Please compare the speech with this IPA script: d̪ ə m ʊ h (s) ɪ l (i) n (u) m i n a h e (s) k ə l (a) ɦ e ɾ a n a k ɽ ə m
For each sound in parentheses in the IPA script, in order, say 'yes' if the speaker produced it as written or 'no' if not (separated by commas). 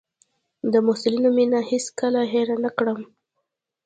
yes, yes, no, yes, yes